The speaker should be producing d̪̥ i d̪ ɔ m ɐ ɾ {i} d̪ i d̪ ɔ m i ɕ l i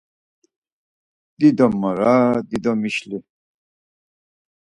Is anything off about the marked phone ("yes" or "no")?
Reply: yes